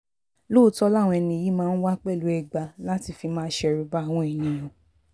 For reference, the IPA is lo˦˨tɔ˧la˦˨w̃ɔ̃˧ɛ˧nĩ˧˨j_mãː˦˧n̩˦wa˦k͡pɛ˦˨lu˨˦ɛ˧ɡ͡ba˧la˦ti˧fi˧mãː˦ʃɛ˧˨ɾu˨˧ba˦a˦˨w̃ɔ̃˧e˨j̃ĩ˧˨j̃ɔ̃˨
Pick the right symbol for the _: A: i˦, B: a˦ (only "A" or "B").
A